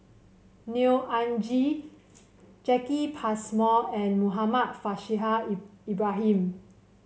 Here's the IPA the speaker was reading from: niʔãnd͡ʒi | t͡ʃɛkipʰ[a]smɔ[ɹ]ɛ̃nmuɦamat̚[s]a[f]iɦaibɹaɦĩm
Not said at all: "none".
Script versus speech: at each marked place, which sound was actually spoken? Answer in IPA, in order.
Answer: a, none, f, ʃ

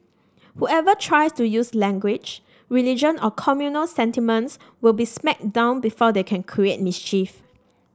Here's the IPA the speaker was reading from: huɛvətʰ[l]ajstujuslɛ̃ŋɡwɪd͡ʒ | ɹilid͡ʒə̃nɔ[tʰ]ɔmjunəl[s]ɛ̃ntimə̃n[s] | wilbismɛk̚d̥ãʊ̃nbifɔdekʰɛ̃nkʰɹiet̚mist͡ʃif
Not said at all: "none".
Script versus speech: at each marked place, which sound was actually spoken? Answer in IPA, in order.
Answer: ɹ, kʰ, s, s

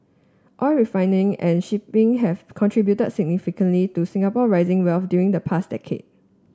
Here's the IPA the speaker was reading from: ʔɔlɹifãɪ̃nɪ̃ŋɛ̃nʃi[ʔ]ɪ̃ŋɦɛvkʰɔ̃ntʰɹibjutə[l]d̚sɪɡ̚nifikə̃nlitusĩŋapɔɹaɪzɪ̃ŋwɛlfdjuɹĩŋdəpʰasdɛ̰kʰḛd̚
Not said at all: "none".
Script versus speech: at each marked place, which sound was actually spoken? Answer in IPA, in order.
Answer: p, none

